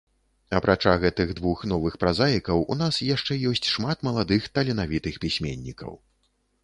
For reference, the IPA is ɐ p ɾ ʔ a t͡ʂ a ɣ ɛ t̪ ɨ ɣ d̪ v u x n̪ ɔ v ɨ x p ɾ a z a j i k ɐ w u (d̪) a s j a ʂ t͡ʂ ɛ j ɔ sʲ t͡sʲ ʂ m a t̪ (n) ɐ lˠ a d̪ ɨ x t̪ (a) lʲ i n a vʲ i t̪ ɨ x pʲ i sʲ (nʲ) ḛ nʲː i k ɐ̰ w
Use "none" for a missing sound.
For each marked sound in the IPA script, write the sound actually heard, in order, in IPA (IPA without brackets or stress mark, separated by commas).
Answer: n̪, m, ɐ, mʲ